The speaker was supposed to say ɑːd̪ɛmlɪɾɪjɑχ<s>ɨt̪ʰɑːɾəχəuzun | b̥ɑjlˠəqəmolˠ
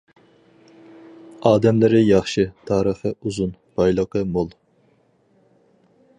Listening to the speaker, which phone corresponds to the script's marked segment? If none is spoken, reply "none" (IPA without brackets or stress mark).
ʃ